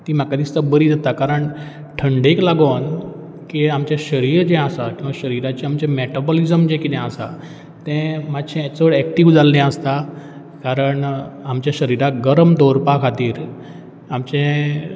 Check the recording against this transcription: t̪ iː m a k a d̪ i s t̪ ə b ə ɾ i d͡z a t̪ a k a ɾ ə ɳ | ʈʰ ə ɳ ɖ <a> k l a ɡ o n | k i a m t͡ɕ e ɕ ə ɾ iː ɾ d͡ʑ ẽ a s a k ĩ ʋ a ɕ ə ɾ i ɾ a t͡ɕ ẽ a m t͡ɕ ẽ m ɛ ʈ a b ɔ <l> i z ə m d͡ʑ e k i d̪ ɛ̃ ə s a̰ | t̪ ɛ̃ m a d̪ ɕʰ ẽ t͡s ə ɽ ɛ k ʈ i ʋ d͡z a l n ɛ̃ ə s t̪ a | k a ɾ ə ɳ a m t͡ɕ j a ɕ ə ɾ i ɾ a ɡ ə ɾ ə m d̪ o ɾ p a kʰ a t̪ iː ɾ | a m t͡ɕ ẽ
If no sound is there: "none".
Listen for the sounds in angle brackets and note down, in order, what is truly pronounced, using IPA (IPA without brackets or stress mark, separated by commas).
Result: e, l